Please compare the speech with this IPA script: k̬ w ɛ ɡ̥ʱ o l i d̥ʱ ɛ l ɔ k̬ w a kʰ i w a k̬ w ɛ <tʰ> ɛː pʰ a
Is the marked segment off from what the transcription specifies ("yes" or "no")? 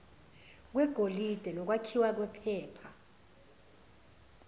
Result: yes